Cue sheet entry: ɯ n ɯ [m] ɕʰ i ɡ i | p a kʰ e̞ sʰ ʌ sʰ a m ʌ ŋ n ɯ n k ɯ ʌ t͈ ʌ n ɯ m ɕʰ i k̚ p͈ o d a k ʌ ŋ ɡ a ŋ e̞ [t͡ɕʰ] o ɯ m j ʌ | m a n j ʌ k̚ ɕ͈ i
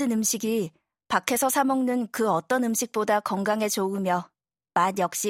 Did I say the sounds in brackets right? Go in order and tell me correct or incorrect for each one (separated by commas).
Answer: correct, incorrect